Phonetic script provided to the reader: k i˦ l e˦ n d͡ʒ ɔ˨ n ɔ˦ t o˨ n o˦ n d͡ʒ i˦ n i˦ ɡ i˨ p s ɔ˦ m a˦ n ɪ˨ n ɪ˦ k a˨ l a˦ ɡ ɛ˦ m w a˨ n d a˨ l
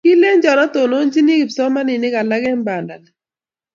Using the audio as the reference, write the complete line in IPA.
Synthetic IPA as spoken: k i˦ l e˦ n d͡ʒ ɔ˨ n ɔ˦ t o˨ n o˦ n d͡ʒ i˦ n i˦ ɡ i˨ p s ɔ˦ m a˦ n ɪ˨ n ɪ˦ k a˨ l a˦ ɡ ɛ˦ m b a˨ n d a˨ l